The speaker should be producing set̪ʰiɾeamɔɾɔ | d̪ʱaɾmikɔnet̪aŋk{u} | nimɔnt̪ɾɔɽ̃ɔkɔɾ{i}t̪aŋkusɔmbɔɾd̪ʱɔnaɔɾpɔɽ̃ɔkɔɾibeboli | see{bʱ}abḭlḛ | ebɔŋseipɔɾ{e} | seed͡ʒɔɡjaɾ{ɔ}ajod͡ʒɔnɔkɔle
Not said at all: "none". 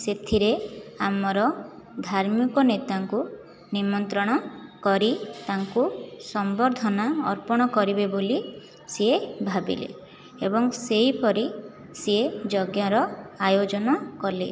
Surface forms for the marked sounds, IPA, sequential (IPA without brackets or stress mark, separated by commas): u, i, bʱ, i, ɔ